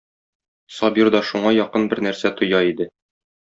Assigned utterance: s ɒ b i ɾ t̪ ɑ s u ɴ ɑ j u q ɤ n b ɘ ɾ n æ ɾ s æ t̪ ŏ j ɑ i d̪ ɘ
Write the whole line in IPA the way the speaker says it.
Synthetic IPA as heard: s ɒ b i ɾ d̪ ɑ ʃ u ɴ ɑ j ɒ q ɤ n b ɘ ɾ n æ ɾ s æ t̪ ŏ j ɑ i d̪ ɘ